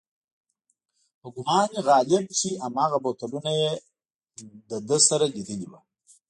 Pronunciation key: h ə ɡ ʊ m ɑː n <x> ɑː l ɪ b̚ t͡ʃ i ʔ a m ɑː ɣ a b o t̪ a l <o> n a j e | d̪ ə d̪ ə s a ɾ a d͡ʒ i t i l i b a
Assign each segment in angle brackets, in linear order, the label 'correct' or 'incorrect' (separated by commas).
incorrect, incorrect